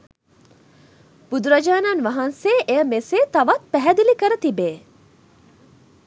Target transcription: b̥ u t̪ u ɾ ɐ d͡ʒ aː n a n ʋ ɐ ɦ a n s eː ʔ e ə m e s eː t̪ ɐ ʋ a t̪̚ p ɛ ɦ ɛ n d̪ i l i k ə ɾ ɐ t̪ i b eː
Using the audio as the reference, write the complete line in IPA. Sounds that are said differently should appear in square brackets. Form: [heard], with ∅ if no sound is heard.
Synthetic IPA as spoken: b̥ u [d̪] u ɾ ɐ d͡ʒ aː n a n ʋ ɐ ɦ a n s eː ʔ e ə m e s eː t̪ ɐ ʋ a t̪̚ p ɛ ɦ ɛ [∅] d̪ i l i k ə ɾ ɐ t̪ i b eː